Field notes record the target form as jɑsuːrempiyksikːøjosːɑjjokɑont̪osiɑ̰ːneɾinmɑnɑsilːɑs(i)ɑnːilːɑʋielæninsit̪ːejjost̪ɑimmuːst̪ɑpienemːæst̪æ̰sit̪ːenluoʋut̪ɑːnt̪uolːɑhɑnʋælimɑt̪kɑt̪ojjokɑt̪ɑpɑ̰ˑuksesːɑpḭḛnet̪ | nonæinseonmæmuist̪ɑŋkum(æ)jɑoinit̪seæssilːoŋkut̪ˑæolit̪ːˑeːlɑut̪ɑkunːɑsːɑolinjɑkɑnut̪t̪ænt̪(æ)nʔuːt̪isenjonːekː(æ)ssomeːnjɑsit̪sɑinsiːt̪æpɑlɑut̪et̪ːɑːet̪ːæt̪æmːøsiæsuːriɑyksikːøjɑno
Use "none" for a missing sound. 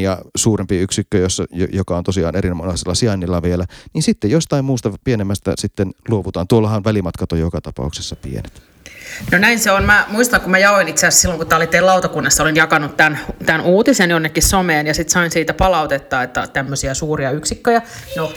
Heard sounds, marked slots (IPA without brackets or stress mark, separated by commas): i, æ, æ, i